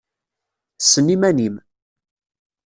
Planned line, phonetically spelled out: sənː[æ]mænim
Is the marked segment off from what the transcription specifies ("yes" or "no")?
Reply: yes